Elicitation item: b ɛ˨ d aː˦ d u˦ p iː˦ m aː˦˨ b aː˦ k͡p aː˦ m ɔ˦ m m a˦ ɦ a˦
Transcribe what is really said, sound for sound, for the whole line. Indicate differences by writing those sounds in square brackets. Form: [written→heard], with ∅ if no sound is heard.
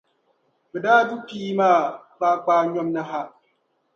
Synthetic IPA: b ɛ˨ d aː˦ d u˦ p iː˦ m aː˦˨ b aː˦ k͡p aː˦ [m→ɲ] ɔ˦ m [m→n] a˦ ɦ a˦